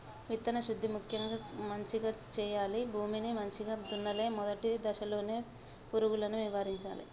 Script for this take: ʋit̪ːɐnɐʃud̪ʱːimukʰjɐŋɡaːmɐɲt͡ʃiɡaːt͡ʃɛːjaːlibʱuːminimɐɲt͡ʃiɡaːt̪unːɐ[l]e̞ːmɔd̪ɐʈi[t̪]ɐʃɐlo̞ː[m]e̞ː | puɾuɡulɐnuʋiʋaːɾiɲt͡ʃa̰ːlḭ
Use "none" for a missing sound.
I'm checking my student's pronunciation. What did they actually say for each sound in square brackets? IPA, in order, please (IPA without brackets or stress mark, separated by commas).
l, d̪, n